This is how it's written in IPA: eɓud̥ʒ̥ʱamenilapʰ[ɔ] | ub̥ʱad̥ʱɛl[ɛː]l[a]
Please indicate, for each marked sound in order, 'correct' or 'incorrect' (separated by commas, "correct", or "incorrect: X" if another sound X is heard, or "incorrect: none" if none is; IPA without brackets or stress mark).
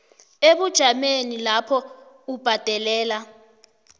correct, correct, correct